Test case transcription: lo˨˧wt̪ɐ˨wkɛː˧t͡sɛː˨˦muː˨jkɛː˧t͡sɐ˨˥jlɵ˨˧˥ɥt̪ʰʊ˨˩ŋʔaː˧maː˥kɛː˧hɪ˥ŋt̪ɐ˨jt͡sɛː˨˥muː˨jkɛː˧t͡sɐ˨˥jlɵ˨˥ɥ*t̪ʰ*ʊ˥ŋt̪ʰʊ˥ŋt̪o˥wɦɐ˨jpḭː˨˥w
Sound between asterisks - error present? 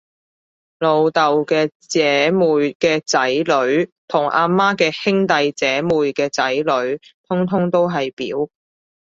no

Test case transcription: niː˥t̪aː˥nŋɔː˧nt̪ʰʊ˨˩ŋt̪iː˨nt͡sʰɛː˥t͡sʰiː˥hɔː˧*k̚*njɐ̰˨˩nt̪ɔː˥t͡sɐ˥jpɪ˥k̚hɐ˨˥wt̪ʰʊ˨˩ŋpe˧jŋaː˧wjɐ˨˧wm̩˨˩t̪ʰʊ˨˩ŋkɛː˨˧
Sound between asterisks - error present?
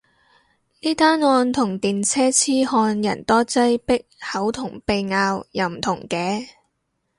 yes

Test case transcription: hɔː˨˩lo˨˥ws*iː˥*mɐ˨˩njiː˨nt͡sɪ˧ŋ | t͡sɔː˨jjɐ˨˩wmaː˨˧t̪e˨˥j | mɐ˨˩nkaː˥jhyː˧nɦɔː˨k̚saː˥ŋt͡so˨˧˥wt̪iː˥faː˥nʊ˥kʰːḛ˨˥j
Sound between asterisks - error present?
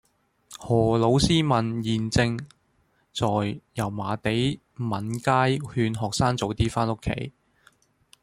no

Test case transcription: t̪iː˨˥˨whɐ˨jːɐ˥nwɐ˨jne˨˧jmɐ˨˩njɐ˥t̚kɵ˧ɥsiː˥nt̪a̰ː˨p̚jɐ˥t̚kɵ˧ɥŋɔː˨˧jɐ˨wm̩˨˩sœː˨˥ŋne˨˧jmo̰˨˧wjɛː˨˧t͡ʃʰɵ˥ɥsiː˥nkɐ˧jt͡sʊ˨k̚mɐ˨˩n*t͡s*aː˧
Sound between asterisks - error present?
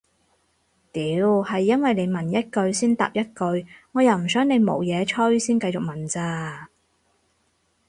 no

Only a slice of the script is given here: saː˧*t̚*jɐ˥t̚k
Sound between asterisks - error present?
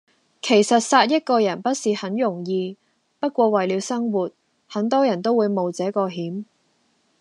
no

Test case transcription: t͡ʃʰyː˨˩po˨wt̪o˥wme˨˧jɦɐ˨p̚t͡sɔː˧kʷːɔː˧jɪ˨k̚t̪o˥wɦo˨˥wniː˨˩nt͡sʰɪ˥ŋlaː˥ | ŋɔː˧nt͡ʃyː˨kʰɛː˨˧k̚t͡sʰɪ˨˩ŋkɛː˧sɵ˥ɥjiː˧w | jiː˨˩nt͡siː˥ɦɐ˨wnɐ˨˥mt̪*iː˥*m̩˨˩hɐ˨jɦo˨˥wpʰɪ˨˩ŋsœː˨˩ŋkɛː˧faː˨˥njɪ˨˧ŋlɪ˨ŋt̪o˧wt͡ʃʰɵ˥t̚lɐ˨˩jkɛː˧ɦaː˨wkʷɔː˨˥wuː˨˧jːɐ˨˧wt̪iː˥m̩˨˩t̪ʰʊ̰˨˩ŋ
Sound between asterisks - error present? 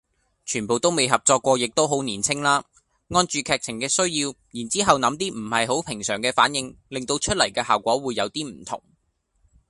no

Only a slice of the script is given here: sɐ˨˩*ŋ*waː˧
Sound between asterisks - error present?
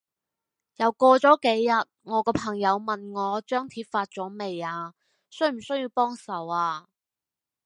yes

